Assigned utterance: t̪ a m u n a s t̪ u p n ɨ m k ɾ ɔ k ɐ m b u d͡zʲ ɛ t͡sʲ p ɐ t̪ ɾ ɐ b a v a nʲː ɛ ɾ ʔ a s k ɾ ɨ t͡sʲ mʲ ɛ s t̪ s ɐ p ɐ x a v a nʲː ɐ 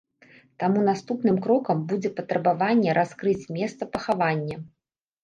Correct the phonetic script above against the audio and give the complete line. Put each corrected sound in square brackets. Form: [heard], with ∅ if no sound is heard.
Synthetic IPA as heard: t̪ a m u n a s t̪ u p n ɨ m k ɾ ɔ k ɐ m b u d͡zʲ ɛ [∅] p ɐ t̪ ɾ ɐ b a v a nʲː ɛ ɾ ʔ a s k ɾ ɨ t͡sʲ mʲ ɛ s t̪ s ɐ p ɐ x a v a nʲː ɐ